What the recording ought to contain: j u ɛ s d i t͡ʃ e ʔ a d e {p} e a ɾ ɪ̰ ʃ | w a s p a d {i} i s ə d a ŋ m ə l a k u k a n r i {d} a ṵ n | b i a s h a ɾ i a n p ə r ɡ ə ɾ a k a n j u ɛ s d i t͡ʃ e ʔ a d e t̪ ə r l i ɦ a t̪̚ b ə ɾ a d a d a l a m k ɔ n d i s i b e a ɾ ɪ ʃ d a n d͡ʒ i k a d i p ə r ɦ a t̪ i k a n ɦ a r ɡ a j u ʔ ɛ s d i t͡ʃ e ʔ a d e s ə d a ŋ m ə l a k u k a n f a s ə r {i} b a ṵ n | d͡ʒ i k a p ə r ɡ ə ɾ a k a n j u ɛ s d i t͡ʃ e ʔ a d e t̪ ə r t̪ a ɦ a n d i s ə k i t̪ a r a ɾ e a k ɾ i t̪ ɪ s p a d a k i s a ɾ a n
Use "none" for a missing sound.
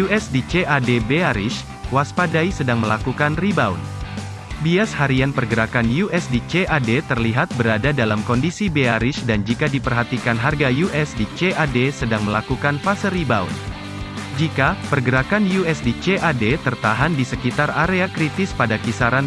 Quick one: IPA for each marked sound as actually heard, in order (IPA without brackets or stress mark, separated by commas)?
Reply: b, a, b, i